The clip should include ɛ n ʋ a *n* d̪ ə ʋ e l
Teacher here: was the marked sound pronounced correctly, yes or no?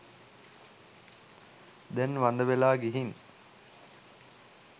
yes